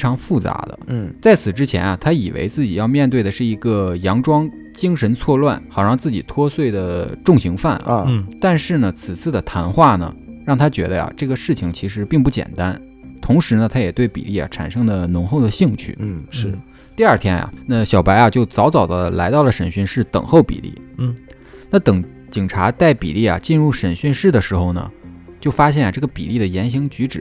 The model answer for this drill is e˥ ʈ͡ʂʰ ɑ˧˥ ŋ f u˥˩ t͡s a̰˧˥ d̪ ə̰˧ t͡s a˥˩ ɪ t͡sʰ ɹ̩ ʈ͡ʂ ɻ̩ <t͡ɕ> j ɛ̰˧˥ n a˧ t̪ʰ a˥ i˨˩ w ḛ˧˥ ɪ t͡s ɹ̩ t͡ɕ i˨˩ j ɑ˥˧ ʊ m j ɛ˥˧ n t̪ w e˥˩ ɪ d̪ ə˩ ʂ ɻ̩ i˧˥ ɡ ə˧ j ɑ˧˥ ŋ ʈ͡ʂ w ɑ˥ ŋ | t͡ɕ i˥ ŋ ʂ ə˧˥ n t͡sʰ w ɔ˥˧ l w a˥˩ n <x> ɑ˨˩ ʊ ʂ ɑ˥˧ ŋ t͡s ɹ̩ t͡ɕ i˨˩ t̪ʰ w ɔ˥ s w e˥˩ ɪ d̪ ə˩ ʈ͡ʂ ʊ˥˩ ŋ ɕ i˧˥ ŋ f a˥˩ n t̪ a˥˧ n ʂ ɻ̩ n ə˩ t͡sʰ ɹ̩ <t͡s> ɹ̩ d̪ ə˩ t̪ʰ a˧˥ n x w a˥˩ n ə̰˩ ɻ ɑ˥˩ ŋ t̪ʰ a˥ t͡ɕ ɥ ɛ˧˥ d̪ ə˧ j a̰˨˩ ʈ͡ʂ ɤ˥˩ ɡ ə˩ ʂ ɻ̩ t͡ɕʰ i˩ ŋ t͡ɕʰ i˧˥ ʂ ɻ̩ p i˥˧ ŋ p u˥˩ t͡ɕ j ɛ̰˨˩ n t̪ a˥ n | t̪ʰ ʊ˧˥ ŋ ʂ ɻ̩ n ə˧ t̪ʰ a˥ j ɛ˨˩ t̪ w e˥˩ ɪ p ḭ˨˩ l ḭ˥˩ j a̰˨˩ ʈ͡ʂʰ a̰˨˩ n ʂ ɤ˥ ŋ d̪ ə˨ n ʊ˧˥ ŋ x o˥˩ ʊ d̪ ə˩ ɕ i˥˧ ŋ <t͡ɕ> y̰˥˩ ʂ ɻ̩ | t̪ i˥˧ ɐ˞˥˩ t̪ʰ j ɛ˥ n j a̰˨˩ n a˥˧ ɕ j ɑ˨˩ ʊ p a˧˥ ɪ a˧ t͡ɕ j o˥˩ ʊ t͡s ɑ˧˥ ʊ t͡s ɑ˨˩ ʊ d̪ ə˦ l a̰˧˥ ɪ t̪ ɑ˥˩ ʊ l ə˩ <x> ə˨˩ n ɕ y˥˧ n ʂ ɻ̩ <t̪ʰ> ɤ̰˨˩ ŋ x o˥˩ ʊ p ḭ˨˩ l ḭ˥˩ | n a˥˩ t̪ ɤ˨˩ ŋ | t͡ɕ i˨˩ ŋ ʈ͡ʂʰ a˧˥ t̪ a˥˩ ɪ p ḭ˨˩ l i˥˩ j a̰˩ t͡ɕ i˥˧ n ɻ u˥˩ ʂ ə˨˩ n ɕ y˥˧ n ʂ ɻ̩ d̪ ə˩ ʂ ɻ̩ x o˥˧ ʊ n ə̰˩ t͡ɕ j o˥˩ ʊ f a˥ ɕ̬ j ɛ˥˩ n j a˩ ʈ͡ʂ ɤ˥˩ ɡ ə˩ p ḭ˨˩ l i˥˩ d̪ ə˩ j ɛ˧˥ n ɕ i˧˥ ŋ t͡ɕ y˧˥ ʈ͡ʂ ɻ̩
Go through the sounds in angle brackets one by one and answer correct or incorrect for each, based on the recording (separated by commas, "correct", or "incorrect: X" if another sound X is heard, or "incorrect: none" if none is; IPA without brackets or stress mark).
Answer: incorrect: t͡ɕʰ, correct, incorrect: t͡sʰ, incorrect: t͡ɕʰ, incorrect: ʂ, incorrect: t̪